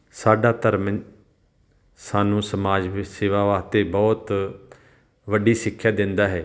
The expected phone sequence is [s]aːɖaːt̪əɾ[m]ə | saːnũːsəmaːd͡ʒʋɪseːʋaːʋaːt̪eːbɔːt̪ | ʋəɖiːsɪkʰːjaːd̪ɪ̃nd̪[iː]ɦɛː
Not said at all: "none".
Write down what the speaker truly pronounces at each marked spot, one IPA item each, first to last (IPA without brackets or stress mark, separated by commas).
s, m, aː